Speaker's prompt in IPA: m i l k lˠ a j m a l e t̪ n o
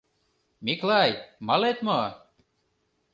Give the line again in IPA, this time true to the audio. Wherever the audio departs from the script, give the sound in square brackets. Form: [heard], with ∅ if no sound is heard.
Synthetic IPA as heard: m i [∅] k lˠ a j m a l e t̪ [m] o